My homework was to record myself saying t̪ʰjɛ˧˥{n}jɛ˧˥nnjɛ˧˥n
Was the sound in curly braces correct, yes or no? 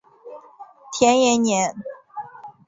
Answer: yes